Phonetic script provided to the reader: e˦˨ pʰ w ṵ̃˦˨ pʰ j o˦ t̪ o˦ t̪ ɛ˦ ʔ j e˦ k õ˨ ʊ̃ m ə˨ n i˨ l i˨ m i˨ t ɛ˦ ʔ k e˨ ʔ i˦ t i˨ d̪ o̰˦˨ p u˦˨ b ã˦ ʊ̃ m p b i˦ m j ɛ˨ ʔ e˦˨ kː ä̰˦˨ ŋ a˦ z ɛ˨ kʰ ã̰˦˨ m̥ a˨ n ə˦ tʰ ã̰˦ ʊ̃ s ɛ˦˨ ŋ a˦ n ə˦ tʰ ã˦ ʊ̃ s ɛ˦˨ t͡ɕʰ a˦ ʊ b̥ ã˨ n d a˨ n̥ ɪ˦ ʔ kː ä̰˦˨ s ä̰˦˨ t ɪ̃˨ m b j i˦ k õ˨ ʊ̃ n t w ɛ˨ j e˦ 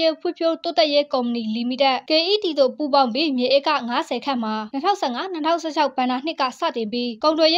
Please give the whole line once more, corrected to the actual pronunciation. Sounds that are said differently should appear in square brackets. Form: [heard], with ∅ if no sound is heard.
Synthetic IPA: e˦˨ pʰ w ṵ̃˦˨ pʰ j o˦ t̪ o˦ t̪ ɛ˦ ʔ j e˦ k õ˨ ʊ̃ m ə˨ n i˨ l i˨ m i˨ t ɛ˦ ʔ k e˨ ʔ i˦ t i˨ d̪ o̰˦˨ p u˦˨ b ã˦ ʊ̃ m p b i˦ m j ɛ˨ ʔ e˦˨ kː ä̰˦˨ ŋ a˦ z ɛ˨ kʰ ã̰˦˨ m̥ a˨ n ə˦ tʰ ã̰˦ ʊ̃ s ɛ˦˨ ŋ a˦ n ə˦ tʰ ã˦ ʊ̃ s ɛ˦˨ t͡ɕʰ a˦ ʊ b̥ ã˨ n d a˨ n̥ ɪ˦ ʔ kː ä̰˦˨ s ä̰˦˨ t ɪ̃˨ m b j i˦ k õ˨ ʊ̃ n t w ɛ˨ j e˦